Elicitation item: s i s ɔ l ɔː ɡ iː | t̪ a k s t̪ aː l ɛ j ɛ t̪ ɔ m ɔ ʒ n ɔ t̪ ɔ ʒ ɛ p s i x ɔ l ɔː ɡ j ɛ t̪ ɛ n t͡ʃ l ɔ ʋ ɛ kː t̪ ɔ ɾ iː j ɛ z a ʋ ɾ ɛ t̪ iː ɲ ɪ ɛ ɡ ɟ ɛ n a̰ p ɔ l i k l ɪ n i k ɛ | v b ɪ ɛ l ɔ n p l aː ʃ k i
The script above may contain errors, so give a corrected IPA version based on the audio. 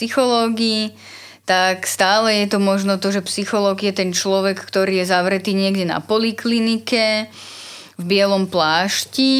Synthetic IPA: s i x ɔ l ɔː ɡ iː | t̪ a k s t̪ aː l ɛ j ɛ t̪ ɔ m ɔ ʒ n ɔ t̪ ɔ ʒ ɛ p s i x ɔ l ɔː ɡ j ɛ t̪ ɛ n t͡ʃ l ɔ ʋ ɛ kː t̪ ɔ ɾ iː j ɛ z a ʋ ɾ ɛ t̪ iː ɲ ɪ ɛ ɡ ɟ ɛ n a̰ p ɔ l i k l i n i k ɛ | v b ɪ ɛ l ɔ m p l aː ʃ c i